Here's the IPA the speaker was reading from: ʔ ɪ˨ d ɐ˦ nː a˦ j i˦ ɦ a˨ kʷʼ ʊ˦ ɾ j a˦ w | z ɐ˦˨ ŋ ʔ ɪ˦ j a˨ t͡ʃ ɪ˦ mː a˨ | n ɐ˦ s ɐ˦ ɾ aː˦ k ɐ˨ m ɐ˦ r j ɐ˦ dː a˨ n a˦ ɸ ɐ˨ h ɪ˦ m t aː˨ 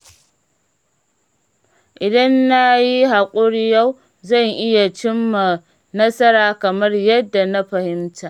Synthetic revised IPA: ʔ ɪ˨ d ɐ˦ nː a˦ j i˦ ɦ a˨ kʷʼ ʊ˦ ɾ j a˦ w | z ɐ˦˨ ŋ ʔ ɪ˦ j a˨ t͡ʃ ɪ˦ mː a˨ | n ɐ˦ s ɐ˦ ɾ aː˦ k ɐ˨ m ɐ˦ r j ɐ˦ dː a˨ n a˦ ɸ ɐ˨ h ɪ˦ m t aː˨